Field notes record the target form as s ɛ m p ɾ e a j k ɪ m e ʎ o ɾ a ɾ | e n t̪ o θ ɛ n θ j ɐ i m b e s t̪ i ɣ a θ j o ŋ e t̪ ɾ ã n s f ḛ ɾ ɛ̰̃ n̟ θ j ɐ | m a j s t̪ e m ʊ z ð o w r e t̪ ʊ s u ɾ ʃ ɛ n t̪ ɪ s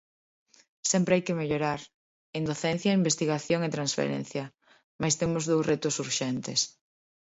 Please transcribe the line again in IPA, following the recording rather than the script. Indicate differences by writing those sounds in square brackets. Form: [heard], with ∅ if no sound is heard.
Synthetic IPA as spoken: s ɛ m p ɾ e a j k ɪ m e ʎ o ɾ a ɾ | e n [d̪] o θ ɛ n θ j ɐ i m b e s t̪ i ɣ a θ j o ŋ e t̪ ɾ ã n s f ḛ ɾ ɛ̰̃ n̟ θ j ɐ | m a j s t̪ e m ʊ z ð o w r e t̪ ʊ s u ɾ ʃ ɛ n t̪ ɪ s